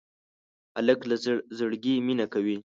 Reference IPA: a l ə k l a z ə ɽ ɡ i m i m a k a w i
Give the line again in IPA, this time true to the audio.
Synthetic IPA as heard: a l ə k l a z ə ɽ ɡ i m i n a k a w i